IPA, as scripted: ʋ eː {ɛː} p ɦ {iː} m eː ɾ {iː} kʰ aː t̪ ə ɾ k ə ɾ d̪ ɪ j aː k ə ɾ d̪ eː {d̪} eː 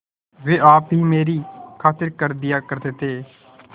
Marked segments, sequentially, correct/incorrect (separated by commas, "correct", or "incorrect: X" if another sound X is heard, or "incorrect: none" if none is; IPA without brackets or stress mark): incorrect: aː, correct, correct, incorrect: t̪